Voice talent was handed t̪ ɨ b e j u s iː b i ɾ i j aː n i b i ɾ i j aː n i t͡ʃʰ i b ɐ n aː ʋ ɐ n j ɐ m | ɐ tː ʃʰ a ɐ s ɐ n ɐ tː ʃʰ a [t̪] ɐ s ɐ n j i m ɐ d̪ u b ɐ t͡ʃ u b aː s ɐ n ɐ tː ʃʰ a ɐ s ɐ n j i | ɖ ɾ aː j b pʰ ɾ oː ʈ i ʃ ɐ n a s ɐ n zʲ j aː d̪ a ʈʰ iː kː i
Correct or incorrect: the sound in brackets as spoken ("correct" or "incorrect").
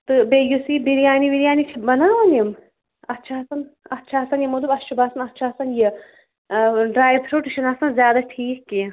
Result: incorrect